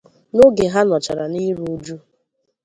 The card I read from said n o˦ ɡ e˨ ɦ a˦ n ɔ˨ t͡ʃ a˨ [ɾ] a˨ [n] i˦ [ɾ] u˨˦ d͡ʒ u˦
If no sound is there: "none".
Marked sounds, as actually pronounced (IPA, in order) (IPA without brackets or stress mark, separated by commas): ɾ, n, ɾ